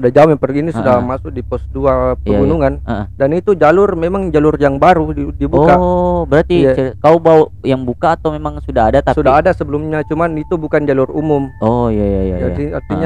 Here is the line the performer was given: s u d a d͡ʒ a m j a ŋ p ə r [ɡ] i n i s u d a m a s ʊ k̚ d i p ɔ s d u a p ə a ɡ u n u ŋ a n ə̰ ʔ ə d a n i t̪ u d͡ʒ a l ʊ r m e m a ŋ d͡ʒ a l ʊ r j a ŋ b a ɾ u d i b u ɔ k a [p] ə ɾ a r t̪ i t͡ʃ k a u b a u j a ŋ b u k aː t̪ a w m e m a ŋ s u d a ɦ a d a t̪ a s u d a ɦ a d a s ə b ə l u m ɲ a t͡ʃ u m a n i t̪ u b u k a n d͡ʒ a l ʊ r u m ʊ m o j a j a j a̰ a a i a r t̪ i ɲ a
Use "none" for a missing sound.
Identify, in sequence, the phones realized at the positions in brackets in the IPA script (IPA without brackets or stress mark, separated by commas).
ɡ, b